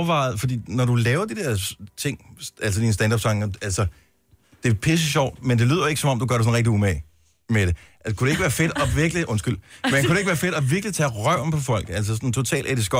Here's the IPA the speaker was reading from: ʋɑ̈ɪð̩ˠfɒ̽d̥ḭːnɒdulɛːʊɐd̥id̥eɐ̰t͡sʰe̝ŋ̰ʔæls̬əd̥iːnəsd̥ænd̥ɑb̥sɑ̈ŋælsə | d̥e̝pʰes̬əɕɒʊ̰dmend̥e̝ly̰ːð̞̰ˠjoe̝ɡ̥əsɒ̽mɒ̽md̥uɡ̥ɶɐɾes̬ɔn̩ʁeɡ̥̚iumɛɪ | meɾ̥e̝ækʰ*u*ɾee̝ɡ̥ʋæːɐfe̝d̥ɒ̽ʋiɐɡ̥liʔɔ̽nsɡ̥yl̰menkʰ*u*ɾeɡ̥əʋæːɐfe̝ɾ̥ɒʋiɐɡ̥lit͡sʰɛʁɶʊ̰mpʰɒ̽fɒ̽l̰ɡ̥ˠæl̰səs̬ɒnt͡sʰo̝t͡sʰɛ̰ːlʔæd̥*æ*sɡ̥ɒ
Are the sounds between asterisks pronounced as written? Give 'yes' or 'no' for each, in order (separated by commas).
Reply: yes, yes, no